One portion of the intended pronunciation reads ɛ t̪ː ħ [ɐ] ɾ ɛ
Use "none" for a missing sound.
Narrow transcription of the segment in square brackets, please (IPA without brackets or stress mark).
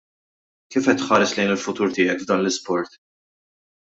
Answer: ɐː